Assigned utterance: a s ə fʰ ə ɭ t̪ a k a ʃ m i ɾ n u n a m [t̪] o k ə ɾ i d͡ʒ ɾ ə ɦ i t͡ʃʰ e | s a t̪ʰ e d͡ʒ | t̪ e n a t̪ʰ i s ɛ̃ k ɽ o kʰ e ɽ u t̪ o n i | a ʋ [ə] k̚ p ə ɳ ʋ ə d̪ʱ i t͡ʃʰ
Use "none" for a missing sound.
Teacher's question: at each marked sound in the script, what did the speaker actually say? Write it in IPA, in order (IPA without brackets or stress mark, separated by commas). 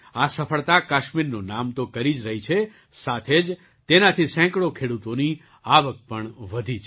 t̪, ə